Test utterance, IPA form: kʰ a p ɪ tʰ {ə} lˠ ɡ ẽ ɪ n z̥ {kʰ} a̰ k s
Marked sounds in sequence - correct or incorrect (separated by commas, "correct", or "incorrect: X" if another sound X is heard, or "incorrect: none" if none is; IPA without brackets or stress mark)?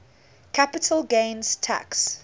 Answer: correct, incorrect: tʰ